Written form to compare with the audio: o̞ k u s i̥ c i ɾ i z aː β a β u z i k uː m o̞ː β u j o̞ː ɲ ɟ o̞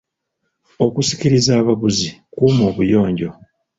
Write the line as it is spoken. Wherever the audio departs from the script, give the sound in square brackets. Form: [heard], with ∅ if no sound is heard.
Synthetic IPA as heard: o̞ k u s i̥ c i ɾ i z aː β a β u z i k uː m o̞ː β u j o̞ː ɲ ɟ o̞

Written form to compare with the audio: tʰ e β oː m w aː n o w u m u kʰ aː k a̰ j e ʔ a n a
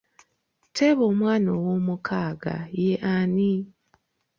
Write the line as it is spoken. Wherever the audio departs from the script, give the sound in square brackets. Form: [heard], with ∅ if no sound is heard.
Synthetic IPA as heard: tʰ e β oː m w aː n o w [o] m u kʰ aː [ɡ] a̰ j e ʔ a n [i]

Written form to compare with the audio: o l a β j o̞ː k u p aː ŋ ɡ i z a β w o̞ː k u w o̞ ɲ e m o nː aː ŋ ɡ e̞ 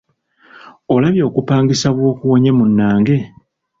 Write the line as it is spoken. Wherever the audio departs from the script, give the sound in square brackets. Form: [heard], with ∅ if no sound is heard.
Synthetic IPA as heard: o l a β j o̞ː k u p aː ŋ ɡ i [s] a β w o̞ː k u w o̞ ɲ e m [u] nː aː ŋ ɡ e̞

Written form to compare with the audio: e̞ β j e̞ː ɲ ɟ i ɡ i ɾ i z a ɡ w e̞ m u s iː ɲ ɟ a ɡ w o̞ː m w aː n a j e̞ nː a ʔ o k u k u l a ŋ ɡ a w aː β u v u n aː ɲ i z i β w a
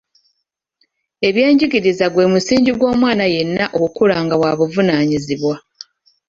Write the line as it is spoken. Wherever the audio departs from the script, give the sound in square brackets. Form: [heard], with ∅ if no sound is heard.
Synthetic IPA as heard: e̞ β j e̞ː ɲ ɟ i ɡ i ɾ i z a ɡ w e̞ m u s iː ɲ ɟ [i] ɡ w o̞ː m w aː n a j e̞ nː a ʔ o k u k u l a ŋ ɡ a w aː β u v u n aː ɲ i z i β w a

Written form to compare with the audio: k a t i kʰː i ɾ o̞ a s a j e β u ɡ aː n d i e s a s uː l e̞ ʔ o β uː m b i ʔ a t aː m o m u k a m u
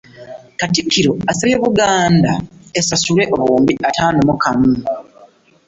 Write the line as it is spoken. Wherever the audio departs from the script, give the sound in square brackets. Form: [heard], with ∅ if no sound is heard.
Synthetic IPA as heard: k a t i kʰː i ɾ o̞ a s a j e β u ɡ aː n d [a] e s a s [u] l e̞ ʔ o β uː m b i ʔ a t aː [n] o m u k a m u

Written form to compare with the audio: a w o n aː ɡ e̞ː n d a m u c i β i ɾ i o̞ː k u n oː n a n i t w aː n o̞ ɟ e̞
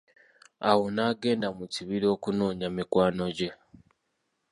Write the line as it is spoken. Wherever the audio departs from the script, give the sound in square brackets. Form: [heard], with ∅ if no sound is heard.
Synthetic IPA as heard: a w o n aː ɡ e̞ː n d a m u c i β i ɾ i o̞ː k u n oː [ɲ] a [m] i [k] w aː n o̞ ɟ e̞

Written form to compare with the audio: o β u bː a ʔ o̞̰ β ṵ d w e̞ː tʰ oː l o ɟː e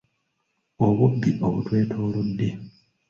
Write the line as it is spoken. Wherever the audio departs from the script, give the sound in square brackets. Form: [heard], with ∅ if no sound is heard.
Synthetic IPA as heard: o β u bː [i] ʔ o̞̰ β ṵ [t] w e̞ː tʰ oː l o [dː] e

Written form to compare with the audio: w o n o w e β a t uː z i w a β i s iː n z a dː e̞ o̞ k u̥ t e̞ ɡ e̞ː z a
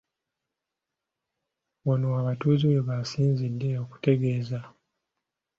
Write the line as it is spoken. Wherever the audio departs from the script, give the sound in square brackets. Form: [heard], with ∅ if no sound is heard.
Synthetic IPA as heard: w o n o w [a] β a t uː z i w [e] β [a] s iː n z [i] dː e̞ o̞ k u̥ t e̞ ɡ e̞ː z a

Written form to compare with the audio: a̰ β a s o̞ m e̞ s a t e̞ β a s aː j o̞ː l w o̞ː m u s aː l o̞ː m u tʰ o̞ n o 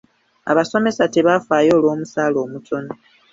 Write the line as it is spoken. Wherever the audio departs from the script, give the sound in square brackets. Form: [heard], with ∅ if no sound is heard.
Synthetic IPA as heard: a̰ β a s o̞ m e̞ s a t e̞ β a [f] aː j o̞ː l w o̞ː m u s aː l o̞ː m u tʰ o̞ n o

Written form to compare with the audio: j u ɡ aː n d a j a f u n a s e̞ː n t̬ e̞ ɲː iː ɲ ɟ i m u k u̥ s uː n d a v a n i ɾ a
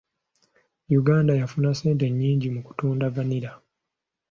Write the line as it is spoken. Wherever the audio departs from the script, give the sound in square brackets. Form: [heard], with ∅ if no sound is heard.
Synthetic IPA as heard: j u ɡ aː n d a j a f u n a s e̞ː n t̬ e̞ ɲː iː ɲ ɟ i m u k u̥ [t] uː n d a v a n i ɾ a

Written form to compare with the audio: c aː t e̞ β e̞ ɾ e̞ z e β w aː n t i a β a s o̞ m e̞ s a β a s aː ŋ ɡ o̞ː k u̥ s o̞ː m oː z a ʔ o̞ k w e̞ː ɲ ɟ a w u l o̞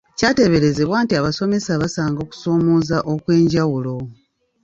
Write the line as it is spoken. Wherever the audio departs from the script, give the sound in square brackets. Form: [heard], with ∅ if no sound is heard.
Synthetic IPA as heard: c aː t e̞ β e̞ ɾ e̞ z e β w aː n t i a β a s o̞ m e̞ s a β a s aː ŋ ɡ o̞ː k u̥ s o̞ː m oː z a ʔ o̞ k w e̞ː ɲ ɟ a w u l o̞

